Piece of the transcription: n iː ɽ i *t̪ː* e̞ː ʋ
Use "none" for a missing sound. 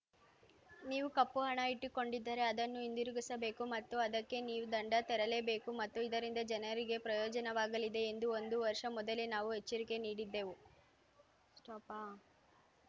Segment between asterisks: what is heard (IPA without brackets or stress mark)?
d̪ː